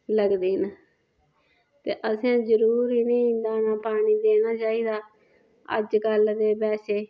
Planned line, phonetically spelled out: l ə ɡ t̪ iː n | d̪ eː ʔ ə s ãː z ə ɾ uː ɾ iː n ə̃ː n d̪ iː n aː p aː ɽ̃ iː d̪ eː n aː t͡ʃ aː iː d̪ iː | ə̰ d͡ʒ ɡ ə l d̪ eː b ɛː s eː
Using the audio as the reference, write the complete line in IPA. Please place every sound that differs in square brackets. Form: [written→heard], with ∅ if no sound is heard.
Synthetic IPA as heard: l ə ɡ [t̪→d̪] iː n | [d̪→t̪] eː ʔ ə s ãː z ə ɾ uː ɾ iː n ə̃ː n d̪ [iː→aː] n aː p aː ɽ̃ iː d̪ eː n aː t͡ʃ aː iː d̪ [iː→aː] | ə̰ d͡ʒ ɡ ə l d̪ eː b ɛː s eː

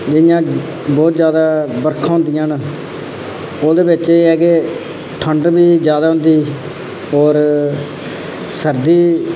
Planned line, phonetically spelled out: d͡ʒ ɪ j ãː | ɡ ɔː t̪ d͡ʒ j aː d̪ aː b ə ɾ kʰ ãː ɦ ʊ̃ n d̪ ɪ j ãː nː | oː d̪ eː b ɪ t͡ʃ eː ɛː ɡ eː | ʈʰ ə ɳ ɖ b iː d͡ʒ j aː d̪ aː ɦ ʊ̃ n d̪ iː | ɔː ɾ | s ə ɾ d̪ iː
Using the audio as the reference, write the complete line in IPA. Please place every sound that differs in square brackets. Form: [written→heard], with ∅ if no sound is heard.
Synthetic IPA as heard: d͡ʒ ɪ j ãː | [ɡ→b] ɔː t̪ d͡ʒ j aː d̪ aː b ə ɾ kʰ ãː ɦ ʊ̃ n d̪ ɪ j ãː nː | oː d̪ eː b ɪ t͡ʃ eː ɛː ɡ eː | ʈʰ ə ɳ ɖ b iː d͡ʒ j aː d̪ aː ɦ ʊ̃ n d̪ iː | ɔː ɾ | s ə ɾ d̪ iː

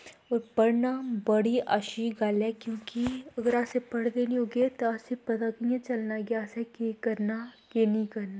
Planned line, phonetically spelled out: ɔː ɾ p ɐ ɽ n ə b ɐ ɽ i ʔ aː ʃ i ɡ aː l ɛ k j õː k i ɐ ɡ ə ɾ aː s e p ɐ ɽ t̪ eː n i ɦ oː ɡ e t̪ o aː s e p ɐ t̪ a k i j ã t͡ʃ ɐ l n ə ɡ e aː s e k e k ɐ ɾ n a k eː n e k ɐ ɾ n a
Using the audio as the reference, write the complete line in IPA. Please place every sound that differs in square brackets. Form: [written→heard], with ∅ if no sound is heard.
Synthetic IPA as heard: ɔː ɾ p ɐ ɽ n [ə→a] b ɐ ɽ i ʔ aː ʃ i ɡ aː l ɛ k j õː k i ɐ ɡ ə ɾ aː s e p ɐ ɽ [t̪→d̪] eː n i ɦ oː ɡ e t̪ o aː s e p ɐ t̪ a k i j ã t͡ʃ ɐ l n [ə→a] ɡ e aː s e k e k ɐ ɾ n a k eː n [e→i] k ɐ ɾ n a

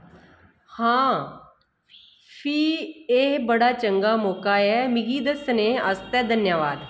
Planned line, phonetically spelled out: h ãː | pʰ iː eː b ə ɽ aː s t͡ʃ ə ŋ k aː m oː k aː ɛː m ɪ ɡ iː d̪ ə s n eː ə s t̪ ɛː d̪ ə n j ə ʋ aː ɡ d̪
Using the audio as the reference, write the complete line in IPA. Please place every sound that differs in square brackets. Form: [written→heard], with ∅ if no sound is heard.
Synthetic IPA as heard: h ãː | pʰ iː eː b ə ɽ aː [s→∅] t͡ʃ ə ŋ [k→ɡ] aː m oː k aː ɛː m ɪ ɡ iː d̪ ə s n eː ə s t̪ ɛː d̪ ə n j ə ʋ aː [ɡ→∅] d̪

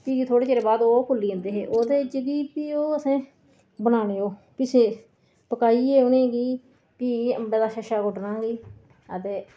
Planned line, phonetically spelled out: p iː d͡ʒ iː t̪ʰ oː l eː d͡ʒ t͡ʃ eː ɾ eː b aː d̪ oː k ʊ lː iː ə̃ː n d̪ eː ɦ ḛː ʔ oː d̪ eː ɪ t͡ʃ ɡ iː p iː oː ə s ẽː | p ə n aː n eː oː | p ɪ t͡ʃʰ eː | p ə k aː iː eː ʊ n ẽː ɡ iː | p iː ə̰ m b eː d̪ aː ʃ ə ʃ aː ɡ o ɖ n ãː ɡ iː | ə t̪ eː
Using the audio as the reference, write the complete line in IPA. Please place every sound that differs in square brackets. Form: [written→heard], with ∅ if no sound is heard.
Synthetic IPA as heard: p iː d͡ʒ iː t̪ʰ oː [l→ɽ] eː [d͡ʒ→∅] t͡ʃ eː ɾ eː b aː d̪ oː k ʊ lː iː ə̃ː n d̪ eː ɦ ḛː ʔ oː d̪ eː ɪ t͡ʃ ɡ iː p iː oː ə s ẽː | [p→b] ə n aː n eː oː | p ɪ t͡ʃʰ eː | p ə k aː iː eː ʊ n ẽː ɡ iː | p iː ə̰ m b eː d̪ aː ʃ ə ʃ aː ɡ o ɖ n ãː ɡ iː | ə t̪ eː

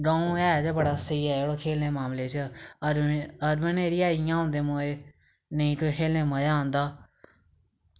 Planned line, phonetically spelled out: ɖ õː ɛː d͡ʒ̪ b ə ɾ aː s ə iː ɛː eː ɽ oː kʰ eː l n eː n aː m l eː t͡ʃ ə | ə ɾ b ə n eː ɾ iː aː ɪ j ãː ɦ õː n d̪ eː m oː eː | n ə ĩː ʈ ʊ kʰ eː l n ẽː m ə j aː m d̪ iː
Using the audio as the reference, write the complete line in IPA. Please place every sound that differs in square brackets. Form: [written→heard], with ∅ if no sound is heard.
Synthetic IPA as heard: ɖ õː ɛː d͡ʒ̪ b ə [ɾ→ɽ] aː s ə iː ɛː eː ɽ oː kʰ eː l n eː [n→m] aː m l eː t͡ʃ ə | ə ɾ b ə n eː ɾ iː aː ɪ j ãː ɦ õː n d̪ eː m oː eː | n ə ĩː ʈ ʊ kʰ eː l n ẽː m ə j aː [m→n] d̪ [iː→aː]

